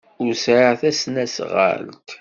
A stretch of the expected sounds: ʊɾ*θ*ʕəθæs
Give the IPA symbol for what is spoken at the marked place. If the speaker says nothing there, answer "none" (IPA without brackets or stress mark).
s